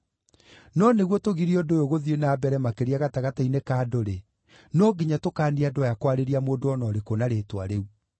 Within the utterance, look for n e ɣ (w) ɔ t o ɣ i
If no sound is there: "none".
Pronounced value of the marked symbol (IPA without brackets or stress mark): w